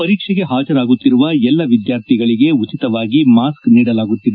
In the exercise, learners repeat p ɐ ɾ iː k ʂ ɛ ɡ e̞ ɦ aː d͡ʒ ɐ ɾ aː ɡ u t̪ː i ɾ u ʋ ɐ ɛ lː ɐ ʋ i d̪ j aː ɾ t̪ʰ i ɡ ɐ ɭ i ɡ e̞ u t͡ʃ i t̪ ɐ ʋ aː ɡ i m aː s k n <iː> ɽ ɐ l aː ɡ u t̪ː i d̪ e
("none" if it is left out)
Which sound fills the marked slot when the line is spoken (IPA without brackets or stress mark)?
iː